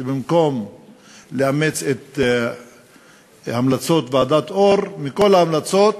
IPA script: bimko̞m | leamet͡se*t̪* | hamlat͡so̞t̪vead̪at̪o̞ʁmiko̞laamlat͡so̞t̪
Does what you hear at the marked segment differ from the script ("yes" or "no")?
no